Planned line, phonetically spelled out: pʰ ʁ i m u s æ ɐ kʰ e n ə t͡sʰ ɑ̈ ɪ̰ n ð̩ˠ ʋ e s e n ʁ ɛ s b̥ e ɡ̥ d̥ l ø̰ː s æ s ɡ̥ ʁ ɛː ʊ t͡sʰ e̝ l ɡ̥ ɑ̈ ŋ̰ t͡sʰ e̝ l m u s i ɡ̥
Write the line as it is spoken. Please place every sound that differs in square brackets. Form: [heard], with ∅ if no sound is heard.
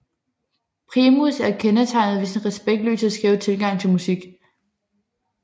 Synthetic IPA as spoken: pʰ ʁ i m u s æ ɐ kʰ e n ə t͡sʰ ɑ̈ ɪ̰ n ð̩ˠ ʋ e s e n ʁ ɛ s b̥ e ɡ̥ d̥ l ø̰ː s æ s ɡ̥ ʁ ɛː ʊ t͡sʰ e̝ l ɡ̥ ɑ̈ ŋ̰ t͡sʰ e̝ l m u s i ɡ̥